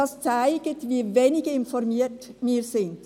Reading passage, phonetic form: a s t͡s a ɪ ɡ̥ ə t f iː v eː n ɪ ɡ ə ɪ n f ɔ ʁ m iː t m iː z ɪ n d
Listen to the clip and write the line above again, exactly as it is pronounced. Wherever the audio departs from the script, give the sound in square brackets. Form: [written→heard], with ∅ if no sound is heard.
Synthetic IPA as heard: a s t͡s a ɪ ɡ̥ ə t [f→v] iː v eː n ɪ ɡ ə ɪ n f ɔ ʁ m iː t m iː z ɪ n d

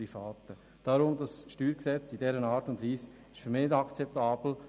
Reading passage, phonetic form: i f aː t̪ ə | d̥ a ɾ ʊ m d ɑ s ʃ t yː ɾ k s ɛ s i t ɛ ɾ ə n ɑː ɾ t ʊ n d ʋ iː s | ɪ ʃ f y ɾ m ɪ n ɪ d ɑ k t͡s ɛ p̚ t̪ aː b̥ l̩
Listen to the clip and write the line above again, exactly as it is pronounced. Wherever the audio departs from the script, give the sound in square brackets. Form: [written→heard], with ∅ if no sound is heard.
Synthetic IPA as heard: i f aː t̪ ə | d̥ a ɾ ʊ m d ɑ s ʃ t yː ɾ k s ɛ [s→t͡s] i [t→d] ɛ ɾ ə n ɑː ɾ t ʊ n d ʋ iː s | ɪ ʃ f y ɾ m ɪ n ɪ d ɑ k t͡s ɛ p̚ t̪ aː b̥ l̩

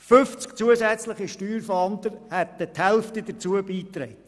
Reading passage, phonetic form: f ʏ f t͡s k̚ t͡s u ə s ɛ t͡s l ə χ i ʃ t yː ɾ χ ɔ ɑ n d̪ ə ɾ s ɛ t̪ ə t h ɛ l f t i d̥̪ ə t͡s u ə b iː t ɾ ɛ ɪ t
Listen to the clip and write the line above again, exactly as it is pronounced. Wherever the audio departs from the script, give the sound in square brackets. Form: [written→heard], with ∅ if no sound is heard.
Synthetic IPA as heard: f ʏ f t͡s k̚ t͡s u ə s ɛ t͡s l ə χ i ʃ t yː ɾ [χ→f] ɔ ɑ n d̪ ə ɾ [s→h] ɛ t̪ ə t h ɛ l f t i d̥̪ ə t͡s u ə b iː t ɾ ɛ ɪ t

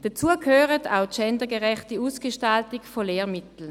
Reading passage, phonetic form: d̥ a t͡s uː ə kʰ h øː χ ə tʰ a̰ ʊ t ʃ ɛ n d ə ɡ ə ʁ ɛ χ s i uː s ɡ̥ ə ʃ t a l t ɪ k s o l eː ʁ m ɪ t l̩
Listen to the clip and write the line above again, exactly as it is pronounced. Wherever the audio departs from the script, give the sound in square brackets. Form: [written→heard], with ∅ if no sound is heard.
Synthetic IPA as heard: d̥ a t͡s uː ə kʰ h øː [χ→ʁ] ə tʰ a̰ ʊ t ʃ ɛ n d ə ɡ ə ʁ ɛ χ [s→t] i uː s ɡ̥ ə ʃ t a l t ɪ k [s→f] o l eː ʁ m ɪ t l̩

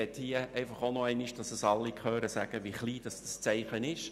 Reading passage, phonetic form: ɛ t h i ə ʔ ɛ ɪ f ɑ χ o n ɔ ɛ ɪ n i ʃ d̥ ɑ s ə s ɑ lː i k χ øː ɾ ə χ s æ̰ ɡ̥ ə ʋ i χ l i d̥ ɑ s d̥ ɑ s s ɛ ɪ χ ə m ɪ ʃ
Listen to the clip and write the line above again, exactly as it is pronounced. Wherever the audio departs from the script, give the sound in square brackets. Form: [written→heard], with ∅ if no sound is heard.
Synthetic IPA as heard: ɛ t h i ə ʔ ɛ ɪ f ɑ χ o n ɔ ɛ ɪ n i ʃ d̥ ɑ s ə s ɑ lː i k χ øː ɾ ə [χ→∅] s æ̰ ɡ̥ ə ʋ i χ l [i→iː] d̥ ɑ s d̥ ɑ s [s→t͡s] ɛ ɪ χ ə [m→n] ɪ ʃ

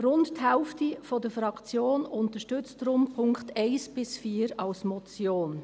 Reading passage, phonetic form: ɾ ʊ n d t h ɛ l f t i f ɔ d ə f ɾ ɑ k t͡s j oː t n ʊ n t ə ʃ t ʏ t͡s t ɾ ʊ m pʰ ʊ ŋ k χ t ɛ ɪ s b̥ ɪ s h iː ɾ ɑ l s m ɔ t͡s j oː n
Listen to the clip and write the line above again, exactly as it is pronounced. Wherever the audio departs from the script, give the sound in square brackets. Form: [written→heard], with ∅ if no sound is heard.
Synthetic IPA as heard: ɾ ʊ n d t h ɛ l f t i f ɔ d ə f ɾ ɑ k t͡s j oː [t→∅] n ʊ n t ə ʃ t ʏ t͡s t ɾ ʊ m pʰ ʊ ŋ k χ t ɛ ɪ s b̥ ɪ s [h→f] iː ɾ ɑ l s m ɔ t͡s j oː n

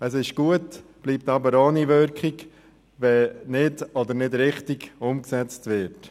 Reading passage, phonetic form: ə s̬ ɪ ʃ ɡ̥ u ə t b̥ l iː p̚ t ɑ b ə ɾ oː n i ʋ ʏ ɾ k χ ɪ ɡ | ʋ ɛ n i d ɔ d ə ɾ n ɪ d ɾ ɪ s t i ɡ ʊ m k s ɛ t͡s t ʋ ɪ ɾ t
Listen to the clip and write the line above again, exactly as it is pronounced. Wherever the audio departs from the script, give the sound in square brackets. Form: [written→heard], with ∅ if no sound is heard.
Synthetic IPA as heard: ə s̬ ɪ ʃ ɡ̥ u ə t b̥ l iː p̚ t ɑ b ə ɾ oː n i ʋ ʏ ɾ k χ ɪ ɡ | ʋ ɛ n [i→ɪ] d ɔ d ə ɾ n ɪ d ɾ ɪ [s→χ] t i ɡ ʊ m k s ɛ t͡s t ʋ ɪ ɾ t

